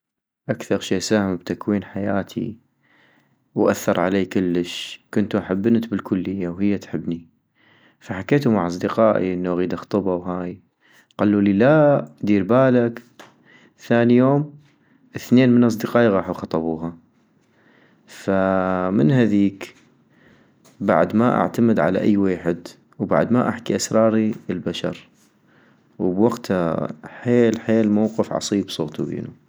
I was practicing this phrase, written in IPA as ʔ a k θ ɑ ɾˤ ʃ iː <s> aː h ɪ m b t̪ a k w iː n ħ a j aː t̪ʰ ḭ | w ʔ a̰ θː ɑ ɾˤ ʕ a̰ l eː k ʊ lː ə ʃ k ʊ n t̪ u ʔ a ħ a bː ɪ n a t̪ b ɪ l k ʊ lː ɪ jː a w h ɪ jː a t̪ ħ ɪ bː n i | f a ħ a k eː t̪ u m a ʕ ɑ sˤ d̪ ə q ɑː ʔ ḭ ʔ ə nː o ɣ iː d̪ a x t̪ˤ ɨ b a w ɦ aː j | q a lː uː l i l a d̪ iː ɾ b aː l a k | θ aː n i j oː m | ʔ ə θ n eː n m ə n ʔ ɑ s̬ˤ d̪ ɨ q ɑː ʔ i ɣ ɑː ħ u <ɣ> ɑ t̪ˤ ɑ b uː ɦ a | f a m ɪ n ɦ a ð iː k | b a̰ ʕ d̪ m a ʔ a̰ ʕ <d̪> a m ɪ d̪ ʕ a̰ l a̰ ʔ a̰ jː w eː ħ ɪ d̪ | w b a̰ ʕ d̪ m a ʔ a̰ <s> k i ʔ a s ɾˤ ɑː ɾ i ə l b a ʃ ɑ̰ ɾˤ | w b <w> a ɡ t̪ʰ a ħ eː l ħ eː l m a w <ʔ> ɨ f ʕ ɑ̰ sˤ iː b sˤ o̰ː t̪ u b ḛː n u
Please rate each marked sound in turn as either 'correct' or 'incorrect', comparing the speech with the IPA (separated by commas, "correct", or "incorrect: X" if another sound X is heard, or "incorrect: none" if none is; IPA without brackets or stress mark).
correct, incorrect: x, incorrect: t̪, incorrect: ħ, correct, incorrect: q